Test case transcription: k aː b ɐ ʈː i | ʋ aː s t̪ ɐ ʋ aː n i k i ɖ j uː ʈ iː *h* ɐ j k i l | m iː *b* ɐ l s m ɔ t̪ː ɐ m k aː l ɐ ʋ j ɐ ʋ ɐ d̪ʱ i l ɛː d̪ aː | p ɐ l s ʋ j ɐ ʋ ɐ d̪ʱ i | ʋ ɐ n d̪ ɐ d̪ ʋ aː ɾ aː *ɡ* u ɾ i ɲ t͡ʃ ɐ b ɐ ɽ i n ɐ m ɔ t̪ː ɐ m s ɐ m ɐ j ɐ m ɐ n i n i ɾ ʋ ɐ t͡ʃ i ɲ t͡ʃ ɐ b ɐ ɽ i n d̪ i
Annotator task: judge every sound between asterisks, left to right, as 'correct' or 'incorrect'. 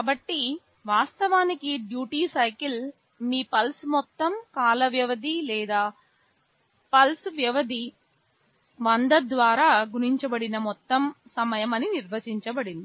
incorrect, incorrect, correct

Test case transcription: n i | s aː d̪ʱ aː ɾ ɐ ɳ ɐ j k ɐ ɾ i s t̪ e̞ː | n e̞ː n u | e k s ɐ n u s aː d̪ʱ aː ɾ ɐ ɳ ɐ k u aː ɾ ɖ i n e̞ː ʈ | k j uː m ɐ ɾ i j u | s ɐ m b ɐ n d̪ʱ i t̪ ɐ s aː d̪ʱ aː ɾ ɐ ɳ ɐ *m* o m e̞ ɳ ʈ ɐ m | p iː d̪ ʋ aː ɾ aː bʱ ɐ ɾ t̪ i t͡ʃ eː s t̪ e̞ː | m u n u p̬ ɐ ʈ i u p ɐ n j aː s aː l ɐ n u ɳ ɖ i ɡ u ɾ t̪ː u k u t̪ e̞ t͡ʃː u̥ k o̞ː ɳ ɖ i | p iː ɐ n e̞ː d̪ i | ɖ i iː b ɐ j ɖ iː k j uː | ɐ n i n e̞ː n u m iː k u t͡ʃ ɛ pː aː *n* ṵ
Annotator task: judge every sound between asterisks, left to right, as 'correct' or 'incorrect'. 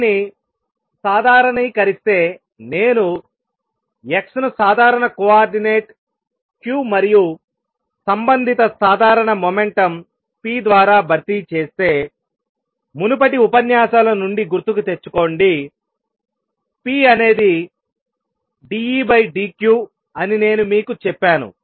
correct, correct

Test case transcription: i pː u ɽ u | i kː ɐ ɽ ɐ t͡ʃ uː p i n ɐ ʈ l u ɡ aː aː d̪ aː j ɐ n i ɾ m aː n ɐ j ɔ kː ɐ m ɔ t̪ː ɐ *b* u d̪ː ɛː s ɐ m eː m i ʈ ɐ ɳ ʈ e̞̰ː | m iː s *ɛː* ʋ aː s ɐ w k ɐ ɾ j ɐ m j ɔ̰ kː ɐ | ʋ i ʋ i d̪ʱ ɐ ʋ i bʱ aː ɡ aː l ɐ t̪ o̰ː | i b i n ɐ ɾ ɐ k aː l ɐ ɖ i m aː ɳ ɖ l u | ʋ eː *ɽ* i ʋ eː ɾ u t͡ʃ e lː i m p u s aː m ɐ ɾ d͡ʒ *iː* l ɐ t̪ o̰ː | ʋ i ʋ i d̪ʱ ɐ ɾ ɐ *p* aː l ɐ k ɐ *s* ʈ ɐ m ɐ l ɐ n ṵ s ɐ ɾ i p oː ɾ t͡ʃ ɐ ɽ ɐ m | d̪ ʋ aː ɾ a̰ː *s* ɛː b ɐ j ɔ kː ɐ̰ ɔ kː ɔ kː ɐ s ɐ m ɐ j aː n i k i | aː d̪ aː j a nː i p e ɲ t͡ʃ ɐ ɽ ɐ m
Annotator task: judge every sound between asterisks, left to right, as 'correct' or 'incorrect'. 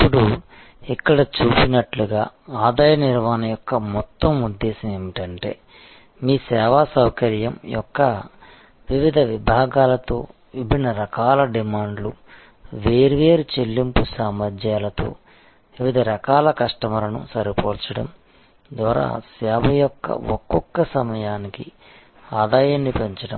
incorrect, correct, incorrect, incorrect, incorrect, incorrect, correct

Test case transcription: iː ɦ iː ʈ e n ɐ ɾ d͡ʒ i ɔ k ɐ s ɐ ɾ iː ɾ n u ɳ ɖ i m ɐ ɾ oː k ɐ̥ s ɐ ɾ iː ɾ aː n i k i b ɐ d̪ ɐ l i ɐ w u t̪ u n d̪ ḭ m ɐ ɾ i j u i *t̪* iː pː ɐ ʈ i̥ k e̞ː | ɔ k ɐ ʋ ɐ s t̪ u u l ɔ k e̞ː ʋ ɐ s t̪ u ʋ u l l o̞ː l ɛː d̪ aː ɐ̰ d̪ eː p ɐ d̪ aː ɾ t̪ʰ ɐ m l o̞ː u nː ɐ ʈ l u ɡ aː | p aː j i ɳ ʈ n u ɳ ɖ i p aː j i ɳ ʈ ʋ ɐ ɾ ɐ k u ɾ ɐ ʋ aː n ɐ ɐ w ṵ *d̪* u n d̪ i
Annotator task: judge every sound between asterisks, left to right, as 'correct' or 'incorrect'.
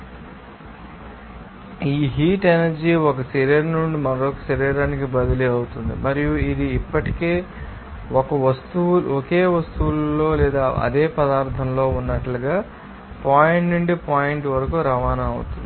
incorrect, incorrect

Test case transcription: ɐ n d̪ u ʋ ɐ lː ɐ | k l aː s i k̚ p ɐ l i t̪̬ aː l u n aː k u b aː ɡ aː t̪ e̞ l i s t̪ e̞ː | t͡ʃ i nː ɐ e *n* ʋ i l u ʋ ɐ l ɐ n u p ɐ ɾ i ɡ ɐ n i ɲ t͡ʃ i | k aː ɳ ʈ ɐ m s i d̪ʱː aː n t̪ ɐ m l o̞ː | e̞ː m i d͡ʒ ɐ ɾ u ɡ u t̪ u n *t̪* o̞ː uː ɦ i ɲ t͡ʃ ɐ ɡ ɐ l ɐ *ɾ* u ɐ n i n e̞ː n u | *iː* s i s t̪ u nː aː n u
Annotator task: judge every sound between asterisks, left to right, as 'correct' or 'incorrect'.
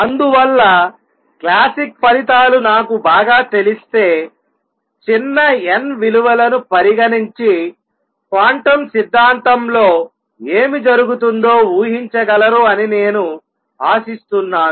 correct, incorrect, correct, incorrect

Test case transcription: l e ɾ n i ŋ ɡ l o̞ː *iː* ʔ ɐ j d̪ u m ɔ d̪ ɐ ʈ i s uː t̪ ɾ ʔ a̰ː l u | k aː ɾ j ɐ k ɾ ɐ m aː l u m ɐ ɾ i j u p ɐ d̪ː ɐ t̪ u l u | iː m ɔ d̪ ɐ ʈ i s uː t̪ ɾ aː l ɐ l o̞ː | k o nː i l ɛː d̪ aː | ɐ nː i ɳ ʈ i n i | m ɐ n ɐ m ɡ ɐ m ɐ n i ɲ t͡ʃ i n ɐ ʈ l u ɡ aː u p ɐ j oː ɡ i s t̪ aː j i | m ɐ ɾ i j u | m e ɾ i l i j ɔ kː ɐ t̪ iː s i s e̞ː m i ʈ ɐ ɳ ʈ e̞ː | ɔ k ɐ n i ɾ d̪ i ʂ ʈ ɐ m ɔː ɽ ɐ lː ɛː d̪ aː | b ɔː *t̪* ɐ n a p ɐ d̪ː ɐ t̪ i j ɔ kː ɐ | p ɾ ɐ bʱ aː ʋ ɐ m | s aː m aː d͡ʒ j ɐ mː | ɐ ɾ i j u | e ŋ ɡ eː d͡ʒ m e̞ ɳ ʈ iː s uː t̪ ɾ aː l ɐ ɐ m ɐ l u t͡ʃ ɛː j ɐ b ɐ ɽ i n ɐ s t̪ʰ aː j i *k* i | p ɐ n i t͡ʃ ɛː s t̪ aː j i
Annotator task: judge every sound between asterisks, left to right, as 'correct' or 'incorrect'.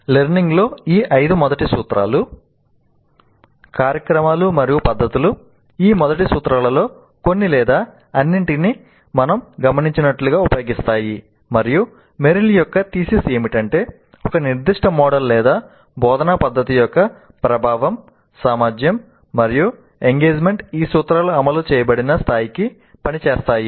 correct, incorrect, correct

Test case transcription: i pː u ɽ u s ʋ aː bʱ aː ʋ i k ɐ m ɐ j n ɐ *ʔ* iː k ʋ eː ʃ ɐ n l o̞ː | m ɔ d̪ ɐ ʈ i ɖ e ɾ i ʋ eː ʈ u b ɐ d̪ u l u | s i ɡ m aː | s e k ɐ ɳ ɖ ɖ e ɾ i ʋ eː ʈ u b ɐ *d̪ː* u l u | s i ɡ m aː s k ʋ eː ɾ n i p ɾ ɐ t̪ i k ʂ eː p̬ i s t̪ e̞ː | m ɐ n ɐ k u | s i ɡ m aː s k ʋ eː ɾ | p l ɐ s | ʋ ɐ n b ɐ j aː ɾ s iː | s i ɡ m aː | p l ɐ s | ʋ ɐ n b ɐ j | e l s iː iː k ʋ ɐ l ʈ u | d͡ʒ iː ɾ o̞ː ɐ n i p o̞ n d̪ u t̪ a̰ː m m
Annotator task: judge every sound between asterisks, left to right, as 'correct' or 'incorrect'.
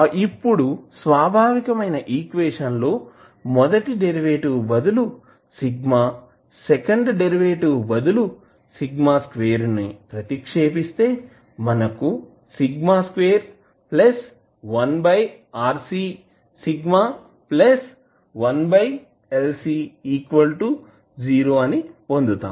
correct, incorrect

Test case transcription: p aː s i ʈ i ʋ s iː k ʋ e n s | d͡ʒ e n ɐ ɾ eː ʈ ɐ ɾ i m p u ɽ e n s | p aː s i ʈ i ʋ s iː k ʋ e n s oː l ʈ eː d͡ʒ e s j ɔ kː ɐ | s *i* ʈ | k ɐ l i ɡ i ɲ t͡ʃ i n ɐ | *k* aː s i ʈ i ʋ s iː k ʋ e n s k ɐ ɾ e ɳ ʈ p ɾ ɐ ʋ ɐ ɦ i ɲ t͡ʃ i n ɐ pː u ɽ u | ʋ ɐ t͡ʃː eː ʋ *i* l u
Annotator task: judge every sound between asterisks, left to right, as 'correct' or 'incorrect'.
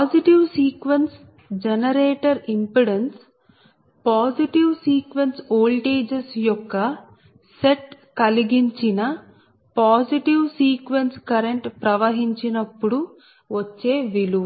incorrect, incorrect, correct

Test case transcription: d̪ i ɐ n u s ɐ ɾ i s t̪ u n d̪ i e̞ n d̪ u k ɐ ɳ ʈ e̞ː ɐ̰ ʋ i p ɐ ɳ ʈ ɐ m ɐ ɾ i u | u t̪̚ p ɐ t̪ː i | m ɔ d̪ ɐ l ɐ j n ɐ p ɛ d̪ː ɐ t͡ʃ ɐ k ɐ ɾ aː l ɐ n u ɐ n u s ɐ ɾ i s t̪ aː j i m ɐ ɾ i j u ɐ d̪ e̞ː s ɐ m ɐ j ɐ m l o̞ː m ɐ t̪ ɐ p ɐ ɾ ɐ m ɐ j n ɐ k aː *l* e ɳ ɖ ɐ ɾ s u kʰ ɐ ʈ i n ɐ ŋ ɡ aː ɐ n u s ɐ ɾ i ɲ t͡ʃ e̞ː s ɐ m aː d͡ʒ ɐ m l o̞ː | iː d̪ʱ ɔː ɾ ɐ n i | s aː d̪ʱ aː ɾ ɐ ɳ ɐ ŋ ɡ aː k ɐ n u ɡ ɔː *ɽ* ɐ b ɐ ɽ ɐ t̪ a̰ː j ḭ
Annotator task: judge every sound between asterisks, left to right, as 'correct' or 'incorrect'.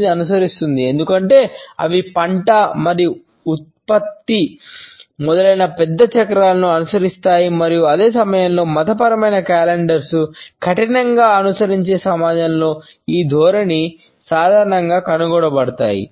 correct, correct

